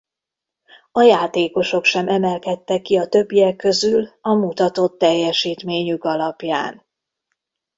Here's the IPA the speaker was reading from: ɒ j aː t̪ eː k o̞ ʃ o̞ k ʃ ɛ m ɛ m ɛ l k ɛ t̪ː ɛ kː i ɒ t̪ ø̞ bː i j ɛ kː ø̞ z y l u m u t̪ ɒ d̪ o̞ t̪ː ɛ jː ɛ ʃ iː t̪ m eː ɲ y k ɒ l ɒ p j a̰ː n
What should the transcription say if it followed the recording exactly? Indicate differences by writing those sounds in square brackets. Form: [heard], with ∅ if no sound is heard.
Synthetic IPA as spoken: ɒ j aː t̪ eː k o̞ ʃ o̞ k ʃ ɛ m ɛ m ɛ l k ɛ t̪ː ɛ kː i ɒ t̪ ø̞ bː i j ɛ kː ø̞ z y l [ɒ] m u t̪ ɒ [t̪] o̞ t̪ː ɛ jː ɛ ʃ iː t̪ m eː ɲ y k ɒ l ɒ p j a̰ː n